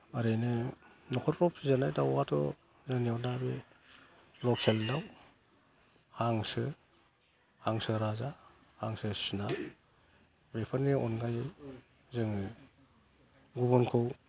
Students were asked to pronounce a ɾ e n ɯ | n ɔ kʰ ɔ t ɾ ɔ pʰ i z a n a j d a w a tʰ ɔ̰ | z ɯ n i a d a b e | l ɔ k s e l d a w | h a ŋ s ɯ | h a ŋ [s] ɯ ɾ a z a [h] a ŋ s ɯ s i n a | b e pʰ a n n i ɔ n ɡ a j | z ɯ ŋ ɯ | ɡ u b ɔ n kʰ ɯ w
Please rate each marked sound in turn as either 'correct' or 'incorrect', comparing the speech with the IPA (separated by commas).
correct, correct